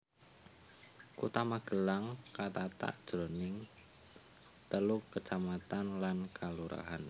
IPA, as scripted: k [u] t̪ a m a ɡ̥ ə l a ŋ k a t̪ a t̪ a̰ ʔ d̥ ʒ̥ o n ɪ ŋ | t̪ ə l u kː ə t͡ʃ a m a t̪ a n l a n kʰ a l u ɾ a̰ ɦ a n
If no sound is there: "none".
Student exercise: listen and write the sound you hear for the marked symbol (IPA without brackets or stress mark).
u